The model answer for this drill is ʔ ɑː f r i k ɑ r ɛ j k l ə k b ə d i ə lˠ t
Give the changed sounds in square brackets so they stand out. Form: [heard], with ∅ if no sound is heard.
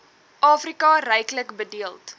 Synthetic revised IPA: ʔ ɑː f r i k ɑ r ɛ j k l ə k b ə d i ə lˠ t

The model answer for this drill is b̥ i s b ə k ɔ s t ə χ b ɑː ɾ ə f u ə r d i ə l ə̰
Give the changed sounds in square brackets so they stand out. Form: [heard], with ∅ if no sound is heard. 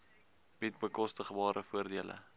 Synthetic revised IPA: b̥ i [t] b ə k ɔ s t ə χ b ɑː ɾ ə f u ə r d i ə l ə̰

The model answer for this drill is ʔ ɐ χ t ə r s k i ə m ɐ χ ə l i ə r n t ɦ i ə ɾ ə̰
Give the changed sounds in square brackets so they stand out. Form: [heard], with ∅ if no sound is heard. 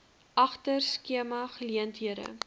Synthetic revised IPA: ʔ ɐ χ t ə r s k i ə m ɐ χ ə l i ə [∅] n t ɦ i ə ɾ ə̰

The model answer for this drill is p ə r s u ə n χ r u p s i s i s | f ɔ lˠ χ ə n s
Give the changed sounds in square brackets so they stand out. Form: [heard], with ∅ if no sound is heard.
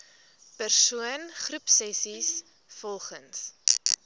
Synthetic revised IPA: p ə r s u ə n χ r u p s [ɛ] s i s | f ɔ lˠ χ ə n s

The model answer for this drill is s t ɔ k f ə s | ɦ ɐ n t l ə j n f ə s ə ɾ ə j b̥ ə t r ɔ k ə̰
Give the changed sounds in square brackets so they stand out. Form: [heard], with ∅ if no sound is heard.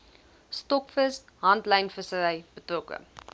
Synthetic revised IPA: s t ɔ k f ə s | ɦ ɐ n t l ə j n f ə s ə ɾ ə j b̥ ə t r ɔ k ə̰

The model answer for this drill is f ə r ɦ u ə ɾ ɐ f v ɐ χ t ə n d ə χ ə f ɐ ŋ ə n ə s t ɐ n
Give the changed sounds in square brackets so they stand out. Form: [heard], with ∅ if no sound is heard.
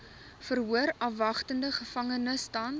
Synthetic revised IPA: f ə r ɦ u ə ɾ ɐ f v ɐ χ t ə n d ə χ ə f ɐ ŋ ə n ə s t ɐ n

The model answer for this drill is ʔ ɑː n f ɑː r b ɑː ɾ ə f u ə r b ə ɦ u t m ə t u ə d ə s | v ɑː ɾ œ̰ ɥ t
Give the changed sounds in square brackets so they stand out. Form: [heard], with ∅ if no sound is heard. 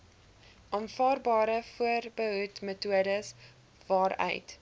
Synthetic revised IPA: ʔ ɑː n f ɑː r b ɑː ɾ ə f u ə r b ə ɦ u t m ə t u ə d ə s | v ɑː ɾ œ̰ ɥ t

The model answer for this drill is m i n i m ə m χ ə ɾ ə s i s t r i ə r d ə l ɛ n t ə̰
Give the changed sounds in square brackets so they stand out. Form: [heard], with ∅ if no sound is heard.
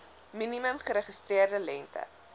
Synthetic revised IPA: m i n i m ə m χ ə ɾ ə [χ] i s t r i ə r d ə l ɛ n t ə̰

